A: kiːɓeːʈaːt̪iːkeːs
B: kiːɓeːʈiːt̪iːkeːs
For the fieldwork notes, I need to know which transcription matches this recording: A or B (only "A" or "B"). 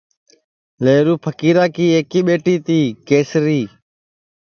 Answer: B